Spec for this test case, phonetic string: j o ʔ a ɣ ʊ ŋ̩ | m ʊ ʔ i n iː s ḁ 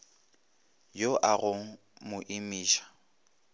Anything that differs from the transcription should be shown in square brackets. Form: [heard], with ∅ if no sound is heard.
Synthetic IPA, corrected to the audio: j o ʔ a ɣ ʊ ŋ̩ | m ʊ ʔ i [m] iː [ʃ] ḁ

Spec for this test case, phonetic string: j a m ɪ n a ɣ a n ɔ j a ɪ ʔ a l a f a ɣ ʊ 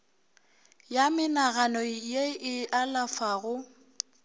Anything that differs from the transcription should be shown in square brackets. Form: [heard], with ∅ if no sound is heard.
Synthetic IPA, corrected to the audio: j a m ɪ n a ɣ a n ɔ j [e] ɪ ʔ a l a f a ɣ ʊ

